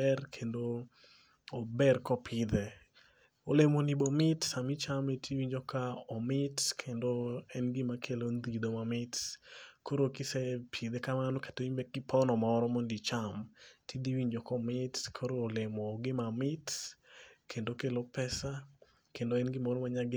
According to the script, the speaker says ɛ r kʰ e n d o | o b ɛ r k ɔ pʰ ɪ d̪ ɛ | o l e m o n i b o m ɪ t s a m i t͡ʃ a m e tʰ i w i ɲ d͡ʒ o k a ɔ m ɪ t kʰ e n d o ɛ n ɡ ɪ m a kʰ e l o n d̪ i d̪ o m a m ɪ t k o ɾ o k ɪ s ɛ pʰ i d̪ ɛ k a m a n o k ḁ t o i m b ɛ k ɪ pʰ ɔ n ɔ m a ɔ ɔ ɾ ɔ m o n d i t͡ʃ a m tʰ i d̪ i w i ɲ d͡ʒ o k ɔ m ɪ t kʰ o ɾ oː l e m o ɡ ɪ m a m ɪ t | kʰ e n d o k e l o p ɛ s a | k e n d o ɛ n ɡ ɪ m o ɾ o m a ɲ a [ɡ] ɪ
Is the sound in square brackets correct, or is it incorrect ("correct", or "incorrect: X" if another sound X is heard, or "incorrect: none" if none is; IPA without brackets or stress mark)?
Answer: correct